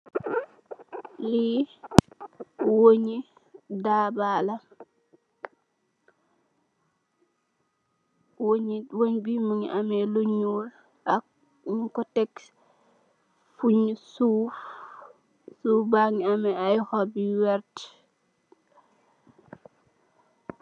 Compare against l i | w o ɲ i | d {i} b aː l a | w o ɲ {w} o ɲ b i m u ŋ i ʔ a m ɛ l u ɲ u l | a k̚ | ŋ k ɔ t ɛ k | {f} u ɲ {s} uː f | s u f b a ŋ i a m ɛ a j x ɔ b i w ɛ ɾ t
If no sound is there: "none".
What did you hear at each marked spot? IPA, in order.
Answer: a, w, f, s

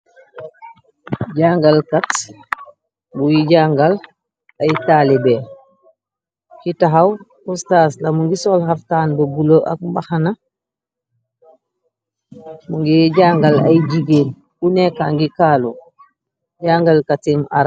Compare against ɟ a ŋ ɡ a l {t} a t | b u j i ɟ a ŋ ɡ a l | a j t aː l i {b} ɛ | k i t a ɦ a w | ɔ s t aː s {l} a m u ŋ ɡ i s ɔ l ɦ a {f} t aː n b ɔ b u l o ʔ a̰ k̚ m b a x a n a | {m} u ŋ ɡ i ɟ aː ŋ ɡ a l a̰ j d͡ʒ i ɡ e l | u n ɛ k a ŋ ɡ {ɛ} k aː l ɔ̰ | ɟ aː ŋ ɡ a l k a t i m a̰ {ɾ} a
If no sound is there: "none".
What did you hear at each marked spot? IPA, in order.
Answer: k, b, l, f, m, i, ɾ

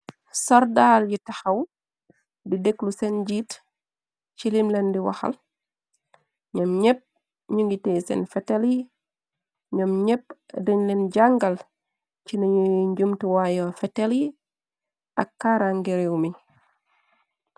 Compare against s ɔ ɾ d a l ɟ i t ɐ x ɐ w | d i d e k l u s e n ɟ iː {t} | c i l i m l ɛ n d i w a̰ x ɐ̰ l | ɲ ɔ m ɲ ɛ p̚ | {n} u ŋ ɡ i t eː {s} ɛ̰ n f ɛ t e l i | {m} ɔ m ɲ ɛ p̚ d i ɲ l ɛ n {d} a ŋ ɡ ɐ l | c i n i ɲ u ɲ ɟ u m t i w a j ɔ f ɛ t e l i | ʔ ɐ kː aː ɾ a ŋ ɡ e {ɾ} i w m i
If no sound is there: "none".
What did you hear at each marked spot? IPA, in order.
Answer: t, ɲ, s, ɲ, ɟ, ɾ

